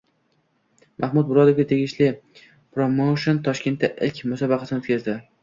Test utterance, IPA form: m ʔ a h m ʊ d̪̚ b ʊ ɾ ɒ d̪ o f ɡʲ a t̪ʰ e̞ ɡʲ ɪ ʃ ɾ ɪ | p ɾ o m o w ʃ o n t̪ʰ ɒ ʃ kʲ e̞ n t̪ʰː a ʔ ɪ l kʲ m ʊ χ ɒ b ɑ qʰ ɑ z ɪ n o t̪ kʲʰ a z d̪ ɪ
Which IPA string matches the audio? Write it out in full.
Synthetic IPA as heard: m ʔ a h m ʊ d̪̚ b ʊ ɾ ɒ d̪ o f ɡʲ a t̪ʰ e̞ ɡʲ ɪ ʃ l ɪ | p ɾ o m o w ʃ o n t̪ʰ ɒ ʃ kʲ e̞ n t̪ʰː a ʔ ɪ l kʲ m ʊ s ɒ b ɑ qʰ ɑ s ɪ n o t̪ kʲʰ a z d̪ ɪ